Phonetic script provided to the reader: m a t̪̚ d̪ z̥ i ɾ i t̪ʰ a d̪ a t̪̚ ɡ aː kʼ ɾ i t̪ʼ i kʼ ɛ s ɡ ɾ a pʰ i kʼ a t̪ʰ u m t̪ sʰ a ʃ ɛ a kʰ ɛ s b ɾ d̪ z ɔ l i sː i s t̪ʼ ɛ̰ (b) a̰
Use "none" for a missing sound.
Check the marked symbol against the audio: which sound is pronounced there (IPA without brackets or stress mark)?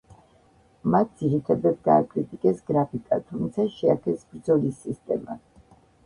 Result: m